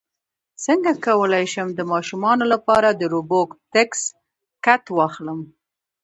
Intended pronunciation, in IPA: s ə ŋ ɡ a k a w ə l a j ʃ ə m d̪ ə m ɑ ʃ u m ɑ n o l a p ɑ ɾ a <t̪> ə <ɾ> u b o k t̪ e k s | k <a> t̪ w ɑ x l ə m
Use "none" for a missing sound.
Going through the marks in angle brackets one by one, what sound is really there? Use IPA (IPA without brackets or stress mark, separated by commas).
d̪, ɾ, a